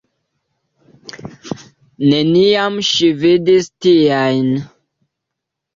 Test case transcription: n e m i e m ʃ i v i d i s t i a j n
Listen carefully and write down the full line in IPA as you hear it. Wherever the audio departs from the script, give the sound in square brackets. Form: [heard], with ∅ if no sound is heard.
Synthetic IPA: n e [n] i [a] m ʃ i v i d i s t i a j n

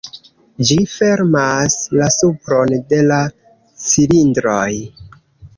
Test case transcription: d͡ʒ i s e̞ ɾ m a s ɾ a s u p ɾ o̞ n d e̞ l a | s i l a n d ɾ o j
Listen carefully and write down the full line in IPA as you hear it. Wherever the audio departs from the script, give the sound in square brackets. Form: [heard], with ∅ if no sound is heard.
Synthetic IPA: d͡ʒ i [f] e̞ ɾ m a s [l] a s u p ɾ o̞ n d e̞ l a | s i l [i] n d ɾ o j

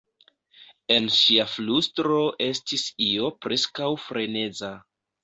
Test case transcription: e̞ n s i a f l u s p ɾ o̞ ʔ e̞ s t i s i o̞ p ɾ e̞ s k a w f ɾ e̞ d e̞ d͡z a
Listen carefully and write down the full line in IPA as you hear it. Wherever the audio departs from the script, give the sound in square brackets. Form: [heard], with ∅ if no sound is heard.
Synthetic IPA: e̞ n [ʃ] i a f l u s [t] ɾ o̞ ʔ e̞ s t i s i o̞ p ɾ e̞ s k a w f ɾ e̞ [n] e̞ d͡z a

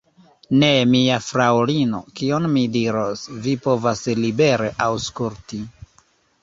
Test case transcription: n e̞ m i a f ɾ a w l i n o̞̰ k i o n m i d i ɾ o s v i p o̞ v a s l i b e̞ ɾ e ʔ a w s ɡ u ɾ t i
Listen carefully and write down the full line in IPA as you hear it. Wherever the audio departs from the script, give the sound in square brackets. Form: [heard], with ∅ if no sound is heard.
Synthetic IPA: n e̞ m i a f ɾ a w l i n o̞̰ k i o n m i d i ɾ o s v i p o̞ v a s l i b e̞ ɾ e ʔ a w s [k] u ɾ t i

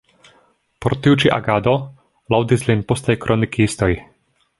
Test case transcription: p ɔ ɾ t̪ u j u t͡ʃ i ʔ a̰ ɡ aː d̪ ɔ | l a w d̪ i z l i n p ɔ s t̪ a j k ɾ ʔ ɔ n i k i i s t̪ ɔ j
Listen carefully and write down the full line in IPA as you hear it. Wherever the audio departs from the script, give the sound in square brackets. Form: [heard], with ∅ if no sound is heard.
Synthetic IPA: p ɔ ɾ t̪ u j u t͡ʃ i ʔ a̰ ɡ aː d̪ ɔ | l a w d̪ i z l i n p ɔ s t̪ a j k ɾ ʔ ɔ n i k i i s t̪ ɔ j

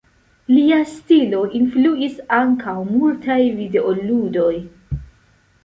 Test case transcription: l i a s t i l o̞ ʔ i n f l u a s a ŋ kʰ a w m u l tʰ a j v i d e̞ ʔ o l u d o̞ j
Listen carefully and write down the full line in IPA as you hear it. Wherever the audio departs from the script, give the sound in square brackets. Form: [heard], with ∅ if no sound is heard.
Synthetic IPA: l i a s t i l o̞ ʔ i n f l u [i] s a ŋ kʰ a w m u l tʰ a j v i d e̞ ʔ o l u d o̞ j

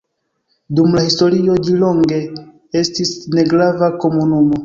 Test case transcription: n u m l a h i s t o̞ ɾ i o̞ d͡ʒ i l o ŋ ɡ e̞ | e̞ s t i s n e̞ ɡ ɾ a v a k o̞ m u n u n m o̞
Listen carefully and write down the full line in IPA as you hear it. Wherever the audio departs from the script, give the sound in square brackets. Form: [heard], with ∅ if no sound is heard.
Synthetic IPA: [d] u m l a h i s t o̞ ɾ i o̞ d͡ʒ i l o ŋ ɡ e̞ | e̞ s t i s n e̞ ɡ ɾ a v a k o̞ m u n u [∅] m o̞

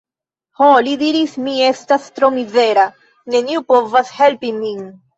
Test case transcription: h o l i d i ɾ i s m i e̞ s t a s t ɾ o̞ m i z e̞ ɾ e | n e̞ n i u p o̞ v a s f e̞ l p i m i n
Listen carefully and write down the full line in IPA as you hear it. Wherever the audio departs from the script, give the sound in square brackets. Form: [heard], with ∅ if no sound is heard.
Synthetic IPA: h o l i d i ɾ i s m i e̞ s t a s t ɾ o̞ m i z e̞ ɾ [a] | n e̞ n i u p o̞ v a s [h] e̞ l p i m i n

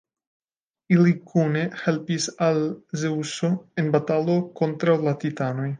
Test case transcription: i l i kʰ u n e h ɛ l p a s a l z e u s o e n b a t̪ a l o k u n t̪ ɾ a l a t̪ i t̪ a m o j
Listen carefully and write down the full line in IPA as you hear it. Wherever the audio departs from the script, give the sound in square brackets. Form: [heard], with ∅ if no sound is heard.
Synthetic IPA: i l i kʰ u n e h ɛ l p [i] s a l z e u s o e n b a t̪ a l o k [o] n t̪ ɾ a l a t̪ i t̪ a [n] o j

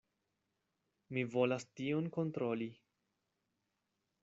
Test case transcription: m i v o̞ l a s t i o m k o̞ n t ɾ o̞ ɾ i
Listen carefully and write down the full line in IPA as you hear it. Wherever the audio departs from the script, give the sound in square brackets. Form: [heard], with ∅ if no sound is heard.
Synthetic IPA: m i v o̞ l a s t i o [n] k o̞ n t ɾ o̞ [l] i

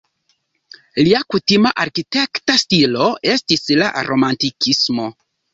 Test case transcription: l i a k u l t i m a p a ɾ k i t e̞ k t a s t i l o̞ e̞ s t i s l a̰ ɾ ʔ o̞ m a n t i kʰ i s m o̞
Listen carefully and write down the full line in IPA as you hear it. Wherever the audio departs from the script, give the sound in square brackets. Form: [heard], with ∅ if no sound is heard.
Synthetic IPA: l i a k u [∅] t i m a [ʔ] a ɾ k i t e̞ k t a s t i l o̞ e̞ s t i s l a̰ ɾ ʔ o̞ m a n t i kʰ i s m o̞

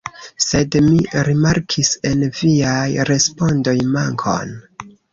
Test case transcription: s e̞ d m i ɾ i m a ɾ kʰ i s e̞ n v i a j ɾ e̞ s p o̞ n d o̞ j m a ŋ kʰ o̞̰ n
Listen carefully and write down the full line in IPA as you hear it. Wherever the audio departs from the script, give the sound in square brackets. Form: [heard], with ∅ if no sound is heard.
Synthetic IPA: s e̞ d m i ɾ i m a ɾ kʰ i s e̞ n v i a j ɾ e̞ s p o̞ n d o̞ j m a ŋ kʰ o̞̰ n

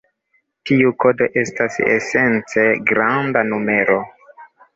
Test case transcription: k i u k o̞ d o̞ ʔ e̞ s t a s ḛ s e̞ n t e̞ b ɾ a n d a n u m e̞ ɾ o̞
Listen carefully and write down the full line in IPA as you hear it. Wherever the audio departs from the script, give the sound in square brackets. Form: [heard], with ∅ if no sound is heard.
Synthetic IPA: [t] i u k o̞ d o̞ ʔ e̞ s t a s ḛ s e̞ n [t͡s] e̞ [ɡ] ɾ a n d a n u m e̞ ɾ o̞

